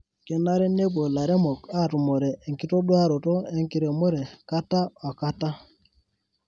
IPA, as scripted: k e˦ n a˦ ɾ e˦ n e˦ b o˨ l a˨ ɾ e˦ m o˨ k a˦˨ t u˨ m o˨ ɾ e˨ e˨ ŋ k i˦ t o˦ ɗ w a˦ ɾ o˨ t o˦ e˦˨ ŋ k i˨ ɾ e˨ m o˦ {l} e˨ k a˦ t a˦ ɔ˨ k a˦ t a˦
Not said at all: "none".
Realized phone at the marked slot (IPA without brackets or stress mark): ɾ